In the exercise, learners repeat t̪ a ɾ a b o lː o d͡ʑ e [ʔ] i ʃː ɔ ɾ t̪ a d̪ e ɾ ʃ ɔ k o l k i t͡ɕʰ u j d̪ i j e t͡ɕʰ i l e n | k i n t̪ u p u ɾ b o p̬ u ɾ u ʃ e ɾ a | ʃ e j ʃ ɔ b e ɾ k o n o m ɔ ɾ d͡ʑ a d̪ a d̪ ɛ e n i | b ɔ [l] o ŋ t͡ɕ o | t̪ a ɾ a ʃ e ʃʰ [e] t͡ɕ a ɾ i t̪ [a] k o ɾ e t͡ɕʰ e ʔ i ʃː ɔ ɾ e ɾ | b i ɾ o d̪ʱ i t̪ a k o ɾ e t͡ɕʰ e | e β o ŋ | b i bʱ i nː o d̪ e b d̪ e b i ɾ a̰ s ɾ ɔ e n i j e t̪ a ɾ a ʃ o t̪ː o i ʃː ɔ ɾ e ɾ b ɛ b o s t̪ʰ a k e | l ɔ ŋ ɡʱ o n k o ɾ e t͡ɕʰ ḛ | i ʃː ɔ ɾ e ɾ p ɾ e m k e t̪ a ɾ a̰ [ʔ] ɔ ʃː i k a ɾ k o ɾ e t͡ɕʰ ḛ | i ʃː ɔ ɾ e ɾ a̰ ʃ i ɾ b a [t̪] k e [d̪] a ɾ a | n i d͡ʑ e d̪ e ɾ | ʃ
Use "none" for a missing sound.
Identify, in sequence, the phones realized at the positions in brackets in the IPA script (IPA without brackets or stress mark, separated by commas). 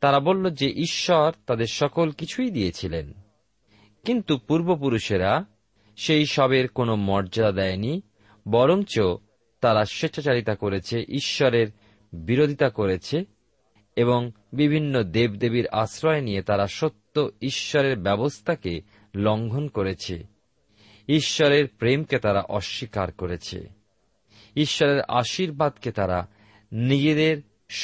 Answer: ʔ, ɾ, a, a, ʔ, d̪, t̪